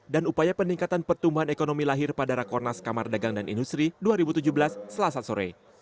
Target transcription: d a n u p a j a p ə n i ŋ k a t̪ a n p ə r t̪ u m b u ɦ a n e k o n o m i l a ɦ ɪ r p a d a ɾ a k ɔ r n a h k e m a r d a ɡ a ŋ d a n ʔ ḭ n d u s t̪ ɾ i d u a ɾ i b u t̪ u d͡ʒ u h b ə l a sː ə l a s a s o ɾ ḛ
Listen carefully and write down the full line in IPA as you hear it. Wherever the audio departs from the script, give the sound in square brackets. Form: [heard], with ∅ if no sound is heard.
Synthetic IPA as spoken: d a n u p a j a p ə n i ŋ k a t̪ a n p ə r t̪ u m b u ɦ a n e k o n o m i l a ɦ ɪ r p a d a ɾ a k ɔ r n a [s] k [a] m a r d a ɡ a ŋ d a n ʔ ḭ n d u s t̪ ɾ i d u a ɾ i b u t̪ u d͡ʒ u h b ə l a sː ə l a s a s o ɾ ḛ